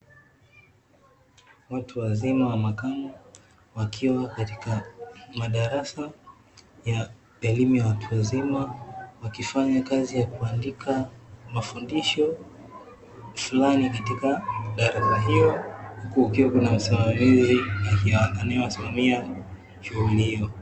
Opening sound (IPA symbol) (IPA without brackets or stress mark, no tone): w